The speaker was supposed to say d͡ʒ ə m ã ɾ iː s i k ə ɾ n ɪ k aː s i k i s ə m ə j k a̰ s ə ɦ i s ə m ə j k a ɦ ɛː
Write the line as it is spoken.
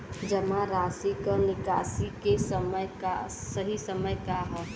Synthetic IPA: d͡ʒ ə m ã ɾ aː s i k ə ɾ n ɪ k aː s i k e s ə m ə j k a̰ s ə ɦ i s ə m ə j k a ɦ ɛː